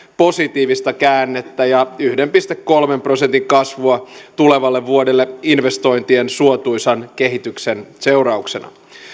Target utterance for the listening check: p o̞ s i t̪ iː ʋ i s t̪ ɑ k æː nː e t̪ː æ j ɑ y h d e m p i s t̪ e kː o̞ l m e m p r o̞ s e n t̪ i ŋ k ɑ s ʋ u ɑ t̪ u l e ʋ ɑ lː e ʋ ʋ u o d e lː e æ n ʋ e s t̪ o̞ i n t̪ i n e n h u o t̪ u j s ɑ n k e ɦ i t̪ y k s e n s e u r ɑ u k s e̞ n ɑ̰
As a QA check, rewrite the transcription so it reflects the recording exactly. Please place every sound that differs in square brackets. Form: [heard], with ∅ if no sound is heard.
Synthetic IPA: p o̞ s i t̪ iː ʋ i s t̪ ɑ k æː nː e t̪ː æ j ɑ y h d e m p i s t̪ e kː o̞ l m e m p r o̞ s e n t̪ i ŋ k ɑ s ʋ u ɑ t̪ u l e ʋ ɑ lː e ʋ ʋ u o d e lː e [i] n ʋ e s t̪ o̞ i n t̪ i [∅] e n [s] u o t̪ u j s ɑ n k e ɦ i t̪ y k s e n s e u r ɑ u k s e̞ n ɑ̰